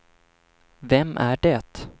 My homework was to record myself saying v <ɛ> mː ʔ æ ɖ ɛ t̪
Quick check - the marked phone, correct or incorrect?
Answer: correct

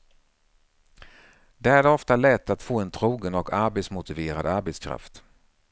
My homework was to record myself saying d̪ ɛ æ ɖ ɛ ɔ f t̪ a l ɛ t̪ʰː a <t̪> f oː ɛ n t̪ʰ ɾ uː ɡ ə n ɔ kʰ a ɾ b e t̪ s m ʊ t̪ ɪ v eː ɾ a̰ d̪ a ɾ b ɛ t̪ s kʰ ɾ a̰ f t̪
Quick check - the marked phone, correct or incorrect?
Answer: correct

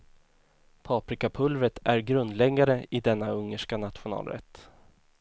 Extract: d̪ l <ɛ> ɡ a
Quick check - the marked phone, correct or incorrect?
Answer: correct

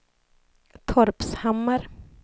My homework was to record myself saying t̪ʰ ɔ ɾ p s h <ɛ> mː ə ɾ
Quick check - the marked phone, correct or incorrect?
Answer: incorrect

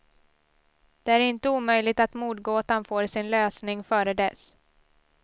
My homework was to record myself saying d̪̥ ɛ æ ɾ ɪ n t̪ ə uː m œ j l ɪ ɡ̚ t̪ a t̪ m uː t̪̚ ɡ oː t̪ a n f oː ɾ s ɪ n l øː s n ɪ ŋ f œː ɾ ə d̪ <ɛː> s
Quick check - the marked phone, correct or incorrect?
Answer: incorrect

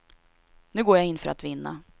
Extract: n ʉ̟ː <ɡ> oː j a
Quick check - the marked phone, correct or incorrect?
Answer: correct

